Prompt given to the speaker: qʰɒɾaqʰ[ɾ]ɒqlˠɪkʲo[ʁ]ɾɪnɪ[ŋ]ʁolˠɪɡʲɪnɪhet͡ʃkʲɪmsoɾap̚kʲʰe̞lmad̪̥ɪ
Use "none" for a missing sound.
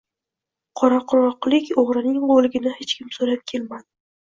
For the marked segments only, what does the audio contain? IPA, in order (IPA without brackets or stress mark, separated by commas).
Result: ɾ, ʁ, ŋ